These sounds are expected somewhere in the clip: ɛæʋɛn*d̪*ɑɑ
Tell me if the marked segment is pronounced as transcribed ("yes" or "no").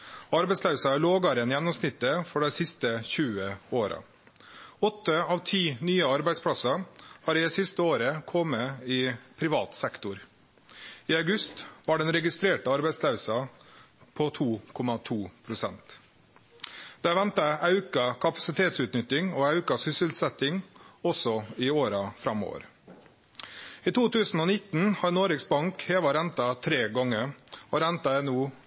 no